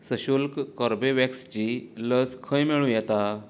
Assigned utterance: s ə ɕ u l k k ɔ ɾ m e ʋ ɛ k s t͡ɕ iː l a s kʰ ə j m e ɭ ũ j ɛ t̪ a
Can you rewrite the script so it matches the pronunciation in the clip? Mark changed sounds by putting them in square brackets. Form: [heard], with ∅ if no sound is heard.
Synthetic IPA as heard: s ə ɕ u l k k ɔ ɾ [b] e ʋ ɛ k s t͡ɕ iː l [ə] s kʰ ə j m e ɭ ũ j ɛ t̪ a